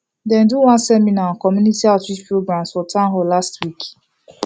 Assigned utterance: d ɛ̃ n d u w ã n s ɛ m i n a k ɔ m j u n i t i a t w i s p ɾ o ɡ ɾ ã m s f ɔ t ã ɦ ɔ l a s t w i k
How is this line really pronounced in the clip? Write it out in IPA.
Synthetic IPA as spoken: d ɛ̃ n d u w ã n s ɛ m i n a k ɔ m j u n i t i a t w i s p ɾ o ɡ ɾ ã m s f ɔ t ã ɦ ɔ l a s t w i k